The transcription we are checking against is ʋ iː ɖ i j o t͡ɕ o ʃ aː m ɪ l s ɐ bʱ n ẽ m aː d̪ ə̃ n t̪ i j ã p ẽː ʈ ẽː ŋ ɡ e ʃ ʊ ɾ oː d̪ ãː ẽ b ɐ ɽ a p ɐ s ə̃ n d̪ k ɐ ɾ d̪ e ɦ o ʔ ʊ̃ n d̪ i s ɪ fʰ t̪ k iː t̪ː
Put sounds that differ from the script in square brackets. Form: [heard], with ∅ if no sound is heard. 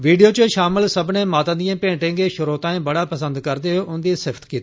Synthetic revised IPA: ʋ iː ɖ i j o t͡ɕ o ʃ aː m ɪ l s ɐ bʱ n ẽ m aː [t̪] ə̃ n [d̪] i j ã p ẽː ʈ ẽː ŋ ɡ e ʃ ʊ ɾ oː [t̪] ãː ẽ b ɐ ɽ a p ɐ s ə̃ n d̪ k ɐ ɾ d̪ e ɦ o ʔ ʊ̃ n d̪ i s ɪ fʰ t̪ k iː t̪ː